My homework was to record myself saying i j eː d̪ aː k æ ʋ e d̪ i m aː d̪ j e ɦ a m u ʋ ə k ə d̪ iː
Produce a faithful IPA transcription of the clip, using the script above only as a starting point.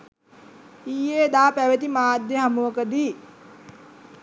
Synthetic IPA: i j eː d̪ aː p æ ʋ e t̪ i m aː d̪ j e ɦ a m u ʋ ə k ə d̪ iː